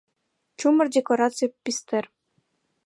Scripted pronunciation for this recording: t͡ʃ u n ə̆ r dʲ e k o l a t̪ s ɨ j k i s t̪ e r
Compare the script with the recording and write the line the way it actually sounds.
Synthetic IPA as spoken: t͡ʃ u m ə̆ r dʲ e k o ɾ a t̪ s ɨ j p i s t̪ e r